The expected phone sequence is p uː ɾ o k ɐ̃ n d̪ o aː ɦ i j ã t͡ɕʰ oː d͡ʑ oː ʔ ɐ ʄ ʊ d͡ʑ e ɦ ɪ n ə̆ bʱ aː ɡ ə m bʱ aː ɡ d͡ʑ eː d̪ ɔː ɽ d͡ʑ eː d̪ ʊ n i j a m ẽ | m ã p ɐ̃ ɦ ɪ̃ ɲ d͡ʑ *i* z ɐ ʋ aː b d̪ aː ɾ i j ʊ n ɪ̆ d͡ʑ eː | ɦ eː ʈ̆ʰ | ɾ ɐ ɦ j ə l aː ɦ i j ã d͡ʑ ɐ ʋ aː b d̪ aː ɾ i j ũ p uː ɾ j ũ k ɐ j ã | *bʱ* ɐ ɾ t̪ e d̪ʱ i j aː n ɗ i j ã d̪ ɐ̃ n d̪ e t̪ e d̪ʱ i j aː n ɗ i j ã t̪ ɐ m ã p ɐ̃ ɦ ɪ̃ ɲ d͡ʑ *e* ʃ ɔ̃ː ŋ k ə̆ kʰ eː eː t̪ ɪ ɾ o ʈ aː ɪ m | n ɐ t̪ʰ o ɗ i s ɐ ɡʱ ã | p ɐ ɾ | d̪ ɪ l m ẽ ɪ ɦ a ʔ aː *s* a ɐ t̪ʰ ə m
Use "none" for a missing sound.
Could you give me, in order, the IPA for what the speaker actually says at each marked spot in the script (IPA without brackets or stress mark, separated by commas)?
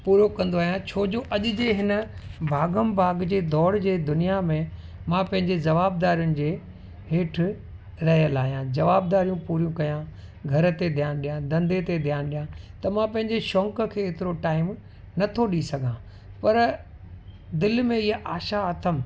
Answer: e, ɡʱ, e, ʃ